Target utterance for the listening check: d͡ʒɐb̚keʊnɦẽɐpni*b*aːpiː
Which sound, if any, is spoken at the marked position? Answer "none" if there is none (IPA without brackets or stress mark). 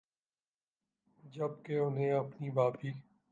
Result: b